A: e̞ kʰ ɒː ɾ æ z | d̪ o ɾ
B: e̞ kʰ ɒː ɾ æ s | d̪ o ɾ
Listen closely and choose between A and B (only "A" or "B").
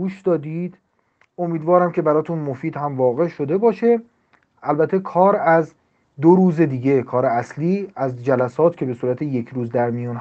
A